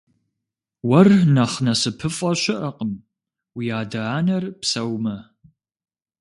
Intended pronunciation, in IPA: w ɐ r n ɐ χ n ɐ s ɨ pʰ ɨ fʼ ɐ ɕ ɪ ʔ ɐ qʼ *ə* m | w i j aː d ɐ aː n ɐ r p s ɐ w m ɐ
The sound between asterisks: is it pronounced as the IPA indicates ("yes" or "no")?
yes